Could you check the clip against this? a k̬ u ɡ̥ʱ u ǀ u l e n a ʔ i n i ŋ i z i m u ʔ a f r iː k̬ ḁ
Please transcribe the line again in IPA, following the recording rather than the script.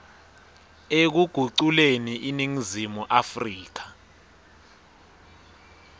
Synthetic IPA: e k̬ u ɡ̥ʱ u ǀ u l e n i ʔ i n i ŋ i z i m u ʔ a f r iː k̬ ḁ